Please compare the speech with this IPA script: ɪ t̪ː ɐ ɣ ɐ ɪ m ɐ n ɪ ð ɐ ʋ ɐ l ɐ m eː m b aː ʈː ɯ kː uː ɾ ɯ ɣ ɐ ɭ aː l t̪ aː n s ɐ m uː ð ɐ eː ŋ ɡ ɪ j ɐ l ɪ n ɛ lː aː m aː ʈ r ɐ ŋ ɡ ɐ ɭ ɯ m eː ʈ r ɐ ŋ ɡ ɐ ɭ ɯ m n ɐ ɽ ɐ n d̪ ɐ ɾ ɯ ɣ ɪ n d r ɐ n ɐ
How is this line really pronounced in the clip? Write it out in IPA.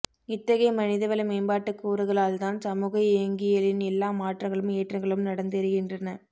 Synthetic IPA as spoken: ɪ t̪ː ɐ ɣ ɐ ɪ m ɐ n ɪ ð ɐ ʋ ɐ l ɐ m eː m b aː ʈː ɯ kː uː ɾ ɯ ɣ ɐ ɭ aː l t̪ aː n s ɐ m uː ɣ ɐ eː ŋ ɡ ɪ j ɐ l ɪ n ɛ lː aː m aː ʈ r ɐ ŋ ɡ ɐ ɭ ɯ m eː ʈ r ɐ ŋ ɡ ɐ ɭ ɯ m n ɐ ɽ ɐ n d̪ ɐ ɾ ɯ ɣ ɪ n d r ɐ n ɐ